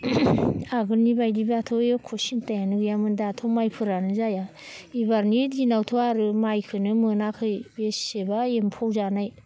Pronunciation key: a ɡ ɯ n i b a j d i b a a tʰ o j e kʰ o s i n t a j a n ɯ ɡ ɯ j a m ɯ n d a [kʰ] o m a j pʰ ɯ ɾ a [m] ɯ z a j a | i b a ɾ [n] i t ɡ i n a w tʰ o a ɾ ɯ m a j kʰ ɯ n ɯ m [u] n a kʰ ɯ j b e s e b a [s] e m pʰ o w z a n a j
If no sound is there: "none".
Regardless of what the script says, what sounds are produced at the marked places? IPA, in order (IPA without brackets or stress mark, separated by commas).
tʰ, n, n, ɯ, none